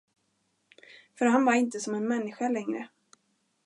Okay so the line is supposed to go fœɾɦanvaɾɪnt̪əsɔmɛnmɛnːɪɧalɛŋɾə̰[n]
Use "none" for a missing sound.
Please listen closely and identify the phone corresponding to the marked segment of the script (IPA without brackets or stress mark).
none